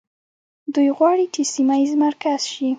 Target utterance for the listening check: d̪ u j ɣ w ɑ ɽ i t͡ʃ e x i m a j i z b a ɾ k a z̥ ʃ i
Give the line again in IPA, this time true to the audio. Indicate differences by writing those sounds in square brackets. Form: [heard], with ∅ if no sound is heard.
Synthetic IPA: d̪ u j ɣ w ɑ ɽ i t͡ʃ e [s] i m a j i z [m] a ɾ k a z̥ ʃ i